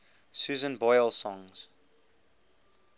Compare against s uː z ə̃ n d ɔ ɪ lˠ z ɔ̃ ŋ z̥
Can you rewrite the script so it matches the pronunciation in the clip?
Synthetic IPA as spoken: s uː z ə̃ n b ɔ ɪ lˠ s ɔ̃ ŋ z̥